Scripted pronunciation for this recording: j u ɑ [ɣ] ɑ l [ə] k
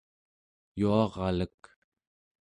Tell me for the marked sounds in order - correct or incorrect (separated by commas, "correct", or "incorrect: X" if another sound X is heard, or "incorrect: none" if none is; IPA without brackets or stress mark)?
incorrect: ʁ, correct